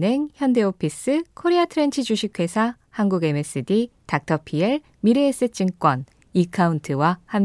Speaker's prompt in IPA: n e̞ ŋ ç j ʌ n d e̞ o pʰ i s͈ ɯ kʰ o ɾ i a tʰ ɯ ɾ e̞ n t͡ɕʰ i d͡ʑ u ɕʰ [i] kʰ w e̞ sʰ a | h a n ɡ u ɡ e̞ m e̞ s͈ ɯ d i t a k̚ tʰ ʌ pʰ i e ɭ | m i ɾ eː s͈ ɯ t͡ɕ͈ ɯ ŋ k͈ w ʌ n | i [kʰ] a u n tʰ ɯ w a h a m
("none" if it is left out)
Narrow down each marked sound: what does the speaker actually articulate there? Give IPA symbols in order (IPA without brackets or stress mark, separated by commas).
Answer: i, kʰ